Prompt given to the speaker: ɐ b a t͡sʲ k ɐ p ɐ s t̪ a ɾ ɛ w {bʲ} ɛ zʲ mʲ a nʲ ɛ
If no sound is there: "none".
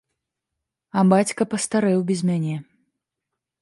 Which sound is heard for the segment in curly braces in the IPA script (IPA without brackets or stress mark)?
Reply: bʲ